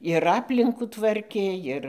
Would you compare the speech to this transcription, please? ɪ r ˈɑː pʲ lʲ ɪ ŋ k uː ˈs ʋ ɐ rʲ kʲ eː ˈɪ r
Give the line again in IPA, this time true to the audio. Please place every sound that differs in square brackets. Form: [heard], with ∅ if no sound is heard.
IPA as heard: ɪ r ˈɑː pʲ lʲ ɪ ŋ k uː [ˈt] ʋ ɐ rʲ kʲ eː ˈɪ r